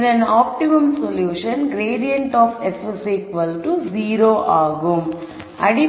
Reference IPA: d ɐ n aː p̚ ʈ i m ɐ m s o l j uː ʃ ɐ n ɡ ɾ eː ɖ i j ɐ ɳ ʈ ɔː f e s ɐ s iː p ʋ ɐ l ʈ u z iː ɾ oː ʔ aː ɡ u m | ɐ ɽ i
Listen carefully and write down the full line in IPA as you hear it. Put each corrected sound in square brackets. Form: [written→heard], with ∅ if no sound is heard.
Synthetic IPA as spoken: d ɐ n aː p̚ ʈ i m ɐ m s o l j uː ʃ ɐ n ɡ ɾ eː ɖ i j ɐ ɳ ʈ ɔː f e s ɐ s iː [p→k] ʋ ɐ l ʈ u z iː ɾ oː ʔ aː ɡ u m | ɐ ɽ i

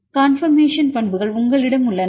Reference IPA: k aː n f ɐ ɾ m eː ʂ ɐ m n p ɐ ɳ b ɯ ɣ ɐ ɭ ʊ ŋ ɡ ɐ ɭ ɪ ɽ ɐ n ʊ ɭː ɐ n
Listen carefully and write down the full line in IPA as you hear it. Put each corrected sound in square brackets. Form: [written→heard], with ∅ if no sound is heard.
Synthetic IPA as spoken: k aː n f ɐ ɾ m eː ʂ ɐ [m→∅] n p ɐ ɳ b ɯ ɣ ɐ ɭ ʊ ŋ ɡ ɐ ɭ ɪ ɽ ɐ [n→m] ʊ ɭː ɐ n

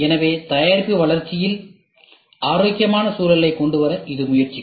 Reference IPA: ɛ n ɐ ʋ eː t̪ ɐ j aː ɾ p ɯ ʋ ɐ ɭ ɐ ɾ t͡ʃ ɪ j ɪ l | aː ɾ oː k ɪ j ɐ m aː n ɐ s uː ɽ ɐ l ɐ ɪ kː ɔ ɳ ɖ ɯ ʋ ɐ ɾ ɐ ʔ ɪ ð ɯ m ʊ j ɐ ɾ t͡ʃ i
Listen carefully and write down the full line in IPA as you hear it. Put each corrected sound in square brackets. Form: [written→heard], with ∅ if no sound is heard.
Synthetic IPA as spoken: ɛ n ɐ ʋ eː t̪ ɐ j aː ɾ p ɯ ʋ ɐ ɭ ɐ ɾ t͡ʃ ɪ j ɪ l | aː ɾ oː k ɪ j ɐ m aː n ɐ s uː [ɽ→l] ɐ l ɐ ɪ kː ɔ ɳ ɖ ɯ ʋ ɐ ɾ ɐ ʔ ɪ ð ɯ m ʊ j ɐ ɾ t͡ʃ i

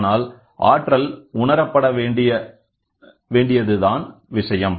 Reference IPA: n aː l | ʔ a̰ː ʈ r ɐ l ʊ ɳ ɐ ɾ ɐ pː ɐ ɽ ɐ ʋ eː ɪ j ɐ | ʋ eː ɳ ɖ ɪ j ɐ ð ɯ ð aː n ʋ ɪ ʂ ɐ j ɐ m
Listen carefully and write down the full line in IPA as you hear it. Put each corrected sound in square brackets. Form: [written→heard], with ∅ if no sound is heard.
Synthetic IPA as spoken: n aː l | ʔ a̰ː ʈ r ɐ l ʊ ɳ ɐ ɾ ɐ pː ɐ ɽ ɐ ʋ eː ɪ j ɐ | ʋ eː ɳ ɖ ɪ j ɐ ð ɯ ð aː n ʋ ɪ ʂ ɐ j ɐ m

